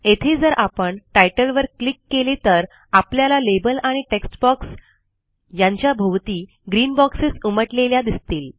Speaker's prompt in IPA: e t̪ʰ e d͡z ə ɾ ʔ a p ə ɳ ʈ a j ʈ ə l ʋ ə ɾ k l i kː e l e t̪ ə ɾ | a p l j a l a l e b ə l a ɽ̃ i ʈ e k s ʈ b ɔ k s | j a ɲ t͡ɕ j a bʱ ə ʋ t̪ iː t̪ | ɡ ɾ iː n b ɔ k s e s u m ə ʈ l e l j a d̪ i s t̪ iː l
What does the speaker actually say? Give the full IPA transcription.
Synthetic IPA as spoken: e t̪ʰ e d͡z ə ɾ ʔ a p ə ɳ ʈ a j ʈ ə l ʋ ə ɾ k l i kː e l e t̪ ə ɾ | a p l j a l a l e b ə l a ɽ̃ i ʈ e k s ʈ b ɔ k s | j a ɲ t͡ɕ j a bʱ ə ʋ t̪ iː | ɡ ɾ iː n b ɔ k s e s u m ə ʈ l e l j a d̪ i s t̪ iː l